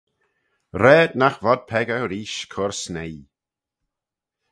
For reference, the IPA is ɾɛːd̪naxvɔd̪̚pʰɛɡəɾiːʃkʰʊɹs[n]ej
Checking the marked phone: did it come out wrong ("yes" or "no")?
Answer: no